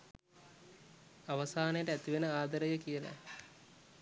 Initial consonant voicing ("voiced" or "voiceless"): voiced